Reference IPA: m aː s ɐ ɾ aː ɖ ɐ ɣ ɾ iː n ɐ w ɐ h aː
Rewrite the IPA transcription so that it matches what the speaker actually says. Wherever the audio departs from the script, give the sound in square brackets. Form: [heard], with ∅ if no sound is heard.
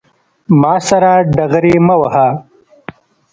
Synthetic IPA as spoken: m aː s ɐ ɾ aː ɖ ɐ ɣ ɾ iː [m] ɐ w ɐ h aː